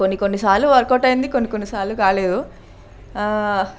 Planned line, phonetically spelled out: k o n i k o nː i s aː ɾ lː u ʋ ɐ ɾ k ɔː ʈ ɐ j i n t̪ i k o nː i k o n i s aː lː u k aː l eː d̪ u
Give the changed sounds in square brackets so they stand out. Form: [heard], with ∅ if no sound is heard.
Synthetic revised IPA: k o [nː] i k o nː i s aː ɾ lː u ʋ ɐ ɾ k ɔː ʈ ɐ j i n [d̪] i k o nː i k o [nː] i s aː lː u k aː l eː d̪ u